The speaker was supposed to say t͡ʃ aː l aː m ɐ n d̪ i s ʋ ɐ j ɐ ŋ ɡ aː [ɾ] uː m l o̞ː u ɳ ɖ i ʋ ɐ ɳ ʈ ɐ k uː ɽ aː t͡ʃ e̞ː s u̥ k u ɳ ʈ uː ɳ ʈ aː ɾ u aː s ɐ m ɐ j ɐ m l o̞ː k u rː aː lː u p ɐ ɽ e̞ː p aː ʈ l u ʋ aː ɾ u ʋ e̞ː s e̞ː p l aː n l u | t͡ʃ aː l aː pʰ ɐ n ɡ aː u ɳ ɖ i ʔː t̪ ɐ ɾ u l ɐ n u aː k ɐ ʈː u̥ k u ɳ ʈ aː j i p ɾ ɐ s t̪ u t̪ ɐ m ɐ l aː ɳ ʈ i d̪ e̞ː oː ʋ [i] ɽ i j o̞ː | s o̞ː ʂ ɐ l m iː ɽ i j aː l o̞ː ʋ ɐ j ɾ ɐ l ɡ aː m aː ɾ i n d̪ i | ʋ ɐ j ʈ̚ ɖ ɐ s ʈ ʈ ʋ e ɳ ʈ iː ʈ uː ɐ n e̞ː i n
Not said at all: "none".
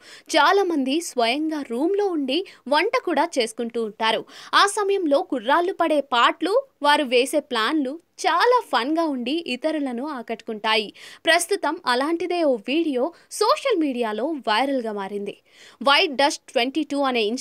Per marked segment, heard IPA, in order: ɾ, iː

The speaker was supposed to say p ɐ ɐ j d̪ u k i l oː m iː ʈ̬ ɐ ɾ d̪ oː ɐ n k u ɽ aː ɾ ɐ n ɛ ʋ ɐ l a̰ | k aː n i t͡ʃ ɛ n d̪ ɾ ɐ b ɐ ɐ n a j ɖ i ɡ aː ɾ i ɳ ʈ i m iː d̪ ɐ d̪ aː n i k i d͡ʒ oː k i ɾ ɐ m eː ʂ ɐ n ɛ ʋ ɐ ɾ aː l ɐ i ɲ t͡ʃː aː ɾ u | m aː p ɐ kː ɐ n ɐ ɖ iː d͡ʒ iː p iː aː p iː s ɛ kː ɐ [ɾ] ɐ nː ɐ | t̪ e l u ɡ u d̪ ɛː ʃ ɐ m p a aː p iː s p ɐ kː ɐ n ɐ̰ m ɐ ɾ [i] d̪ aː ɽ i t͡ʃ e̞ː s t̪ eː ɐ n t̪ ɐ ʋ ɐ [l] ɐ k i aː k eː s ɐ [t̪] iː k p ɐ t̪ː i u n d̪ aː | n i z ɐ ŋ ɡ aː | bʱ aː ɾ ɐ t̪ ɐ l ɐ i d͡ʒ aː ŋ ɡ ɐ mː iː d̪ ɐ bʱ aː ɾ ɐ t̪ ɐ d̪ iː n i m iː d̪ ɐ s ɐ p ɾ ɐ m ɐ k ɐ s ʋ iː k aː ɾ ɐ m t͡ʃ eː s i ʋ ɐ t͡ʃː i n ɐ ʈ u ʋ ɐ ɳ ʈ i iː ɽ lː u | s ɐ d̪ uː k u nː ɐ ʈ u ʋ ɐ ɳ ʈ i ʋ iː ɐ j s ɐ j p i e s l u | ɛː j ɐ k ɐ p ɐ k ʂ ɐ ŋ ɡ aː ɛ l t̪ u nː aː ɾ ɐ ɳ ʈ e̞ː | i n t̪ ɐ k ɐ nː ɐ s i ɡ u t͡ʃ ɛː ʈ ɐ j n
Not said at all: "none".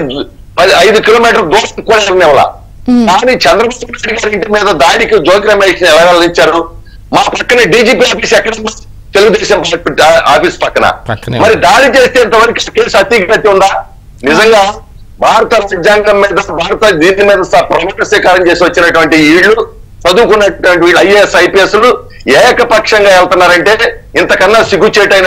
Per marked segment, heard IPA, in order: ɽ, i, ɾ, t̪

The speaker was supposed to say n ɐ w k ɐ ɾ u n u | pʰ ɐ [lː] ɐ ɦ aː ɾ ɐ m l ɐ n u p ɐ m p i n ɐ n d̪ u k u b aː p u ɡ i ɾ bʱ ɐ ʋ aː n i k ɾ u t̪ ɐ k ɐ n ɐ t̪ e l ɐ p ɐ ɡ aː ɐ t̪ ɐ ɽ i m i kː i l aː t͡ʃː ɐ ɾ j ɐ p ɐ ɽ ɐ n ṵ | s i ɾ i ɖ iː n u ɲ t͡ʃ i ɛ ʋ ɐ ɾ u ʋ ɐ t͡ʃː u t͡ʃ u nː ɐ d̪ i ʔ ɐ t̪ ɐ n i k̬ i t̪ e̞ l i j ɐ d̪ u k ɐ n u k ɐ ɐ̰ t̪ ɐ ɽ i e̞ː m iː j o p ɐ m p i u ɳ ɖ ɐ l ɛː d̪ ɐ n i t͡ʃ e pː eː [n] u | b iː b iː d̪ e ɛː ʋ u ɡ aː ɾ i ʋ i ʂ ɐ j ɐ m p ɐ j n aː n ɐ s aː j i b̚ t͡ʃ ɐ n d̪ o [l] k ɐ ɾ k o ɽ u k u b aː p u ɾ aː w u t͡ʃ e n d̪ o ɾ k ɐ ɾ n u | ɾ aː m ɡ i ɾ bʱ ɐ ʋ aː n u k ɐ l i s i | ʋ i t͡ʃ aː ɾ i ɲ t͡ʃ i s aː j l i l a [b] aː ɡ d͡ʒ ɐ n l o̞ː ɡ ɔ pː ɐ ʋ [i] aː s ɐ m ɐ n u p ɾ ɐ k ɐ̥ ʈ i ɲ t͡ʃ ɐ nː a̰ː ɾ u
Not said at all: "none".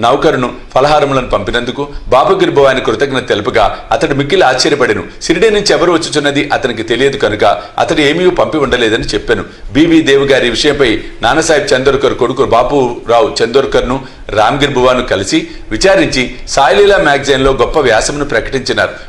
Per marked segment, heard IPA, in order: l, n, ɾ, m, j

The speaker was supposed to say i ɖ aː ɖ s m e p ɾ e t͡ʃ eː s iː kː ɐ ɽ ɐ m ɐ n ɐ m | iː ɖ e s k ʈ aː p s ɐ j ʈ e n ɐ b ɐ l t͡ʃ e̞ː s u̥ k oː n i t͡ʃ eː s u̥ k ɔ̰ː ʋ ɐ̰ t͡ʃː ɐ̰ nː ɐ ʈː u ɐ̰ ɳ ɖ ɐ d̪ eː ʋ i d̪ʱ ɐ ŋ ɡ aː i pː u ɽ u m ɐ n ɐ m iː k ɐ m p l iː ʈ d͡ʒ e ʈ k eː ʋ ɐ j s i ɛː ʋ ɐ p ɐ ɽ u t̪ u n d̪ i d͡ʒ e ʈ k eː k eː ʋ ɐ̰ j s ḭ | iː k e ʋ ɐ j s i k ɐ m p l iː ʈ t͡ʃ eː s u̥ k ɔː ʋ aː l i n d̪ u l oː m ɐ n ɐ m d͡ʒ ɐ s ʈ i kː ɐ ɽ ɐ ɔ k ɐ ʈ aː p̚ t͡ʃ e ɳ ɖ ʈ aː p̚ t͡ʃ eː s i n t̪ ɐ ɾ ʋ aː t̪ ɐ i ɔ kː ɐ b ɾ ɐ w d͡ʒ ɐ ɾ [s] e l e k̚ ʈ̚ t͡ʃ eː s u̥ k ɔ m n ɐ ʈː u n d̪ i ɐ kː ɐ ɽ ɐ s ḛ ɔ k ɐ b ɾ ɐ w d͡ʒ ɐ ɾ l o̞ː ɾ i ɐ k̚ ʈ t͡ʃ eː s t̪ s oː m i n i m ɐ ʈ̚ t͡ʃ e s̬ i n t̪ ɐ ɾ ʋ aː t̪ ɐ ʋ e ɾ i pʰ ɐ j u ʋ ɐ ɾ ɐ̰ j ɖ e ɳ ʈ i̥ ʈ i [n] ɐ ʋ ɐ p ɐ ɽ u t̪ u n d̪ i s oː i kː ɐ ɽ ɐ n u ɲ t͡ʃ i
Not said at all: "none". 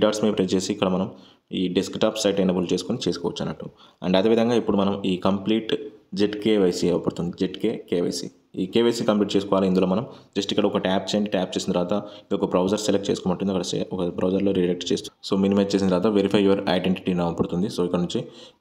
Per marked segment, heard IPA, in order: s, n

